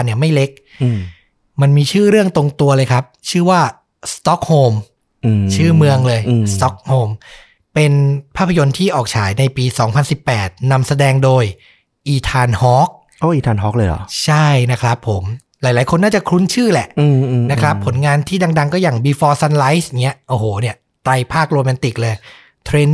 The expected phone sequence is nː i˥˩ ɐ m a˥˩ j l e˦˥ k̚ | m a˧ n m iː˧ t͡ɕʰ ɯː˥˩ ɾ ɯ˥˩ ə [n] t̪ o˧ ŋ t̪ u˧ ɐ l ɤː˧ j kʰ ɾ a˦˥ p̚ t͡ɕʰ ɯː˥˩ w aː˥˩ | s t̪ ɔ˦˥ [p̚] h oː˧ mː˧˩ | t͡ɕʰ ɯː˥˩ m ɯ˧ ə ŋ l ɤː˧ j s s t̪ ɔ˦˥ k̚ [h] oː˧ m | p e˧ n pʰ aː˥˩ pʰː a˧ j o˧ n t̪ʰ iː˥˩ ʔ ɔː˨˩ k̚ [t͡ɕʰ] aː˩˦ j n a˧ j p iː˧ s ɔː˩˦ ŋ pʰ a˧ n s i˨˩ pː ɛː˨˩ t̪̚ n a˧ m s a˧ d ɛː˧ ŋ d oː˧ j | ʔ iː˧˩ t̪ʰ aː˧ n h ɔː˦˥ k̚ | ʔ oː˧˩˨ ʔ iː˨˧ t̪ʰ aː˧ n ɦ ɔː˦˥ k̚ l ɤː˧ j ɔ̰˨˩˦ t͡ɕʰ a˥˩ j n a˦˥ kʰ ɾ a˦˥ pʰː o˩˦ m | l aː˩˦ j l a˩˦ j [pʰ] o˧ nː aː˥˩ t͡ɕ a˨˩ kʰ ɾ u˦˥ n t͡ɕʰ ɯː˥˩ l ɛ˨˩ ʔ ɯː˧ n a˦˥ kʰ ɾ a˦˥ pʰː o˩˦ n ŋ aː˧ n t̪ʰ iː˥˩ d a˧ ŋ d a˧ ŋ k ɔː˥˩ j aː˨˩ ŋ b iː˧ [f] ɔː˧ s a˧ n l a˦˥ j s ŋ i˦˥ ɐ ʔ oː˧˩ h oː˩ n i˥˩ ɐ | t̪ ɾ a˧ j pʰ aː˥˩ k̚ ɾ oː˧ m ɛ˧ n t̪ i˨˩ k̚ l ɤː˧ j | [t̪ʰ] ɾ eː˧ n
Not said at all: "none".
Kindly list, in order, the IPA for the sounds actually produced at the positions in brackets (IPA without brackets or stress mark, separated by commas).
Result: ŋ, k̚, h, t͡ɕʰ, kʰ, f, t̪ʰ